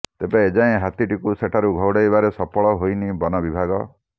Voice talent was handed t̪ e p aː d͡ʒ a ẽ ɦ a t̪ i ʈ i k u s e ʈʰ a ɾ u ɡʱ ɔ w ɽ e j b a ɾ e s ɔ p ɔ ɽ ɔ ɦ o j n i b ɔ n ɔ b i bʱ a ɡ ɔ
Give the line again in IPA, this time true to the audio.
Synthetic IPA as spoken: t̪ e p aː d͡ʒ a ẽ ɦ a t̪ i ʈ i k u s e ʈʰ a ɾ u ɡʱ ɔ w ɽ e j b a ɾ e s ɔ p ɔ ɭ ɔ ɦ o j n i b ɔ n ɔ b i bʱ a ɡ ɔ